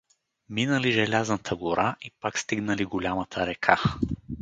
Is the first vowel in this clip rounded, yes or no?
no